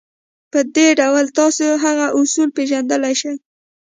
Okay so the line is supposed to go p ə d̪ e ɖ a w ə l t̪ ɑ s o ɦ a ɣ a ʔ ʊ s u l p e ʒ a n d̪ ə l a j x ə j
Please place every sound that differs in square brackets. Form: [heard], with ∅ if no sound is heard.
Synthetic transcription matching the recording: p ə d̪ e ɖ a w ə l t̪ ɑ s o ɦ a ɣ a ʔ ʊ s u l p e ʒ a n d̪ ə l a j [ʃ] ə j